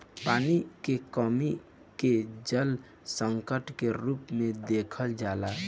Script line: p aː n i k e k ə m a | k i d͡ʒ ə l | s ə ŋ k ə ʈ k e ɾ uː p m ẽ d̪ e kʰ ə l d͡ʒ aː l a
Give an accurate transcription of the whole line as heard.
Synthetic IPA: p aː n i k e k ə m i | k e d͡ʒ ə l | s ə ŋ k ə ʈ k e ɾ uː p m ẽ d̪ e kʰ ə l d͡ʒ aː l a